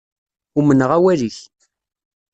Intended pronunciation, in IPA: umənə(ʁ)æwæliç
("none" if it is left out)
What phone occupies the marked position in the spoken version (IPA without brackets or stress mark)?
ʁ